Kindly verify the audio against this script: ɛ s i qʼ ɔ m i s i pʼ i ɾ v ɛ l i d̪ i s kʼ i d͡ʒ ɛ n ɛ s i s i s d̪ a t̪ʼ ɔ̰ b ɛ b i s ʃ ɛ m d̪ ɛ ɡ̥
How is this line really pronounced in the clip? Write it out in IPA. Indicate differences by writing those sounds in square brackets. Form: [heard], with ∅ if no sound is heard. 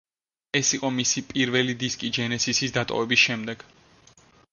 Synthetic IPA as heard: ɛ s i qʼ ɔ m i s i pʼ i ɾ v ɛ l i d̪ i s kʼ i d͡ʒ ɛ n ɛ s i s i s d̪ a t̪ʼ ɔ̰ [v] ɛ b i s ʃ ɛ m d̪ ɛ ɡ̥